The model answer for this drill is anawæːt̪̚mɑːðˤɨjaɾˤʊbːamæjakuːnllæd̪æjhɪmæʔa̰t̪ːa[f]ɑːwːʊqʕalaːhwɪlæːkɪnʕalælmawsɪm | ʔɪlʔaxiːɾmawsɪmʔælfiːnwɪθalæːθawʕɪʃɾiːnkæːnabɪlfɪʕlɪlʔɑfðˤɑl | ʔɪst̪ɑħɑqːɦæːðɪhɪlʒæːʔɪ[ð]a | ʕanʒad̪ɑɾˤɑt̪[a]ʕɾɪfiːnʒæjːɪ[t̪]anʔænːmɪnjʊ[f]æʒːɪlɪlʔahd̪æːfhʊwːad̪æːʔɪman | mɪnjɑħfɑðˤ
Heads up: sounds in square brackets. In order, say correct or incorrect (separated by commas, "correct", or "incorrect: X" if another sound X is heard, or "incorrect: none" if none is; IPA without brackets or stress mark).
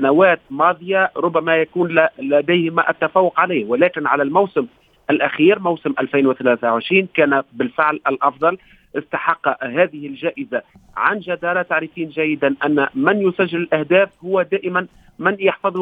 correct, incorrect: z, correct, incorrect: d̪, incorrect: s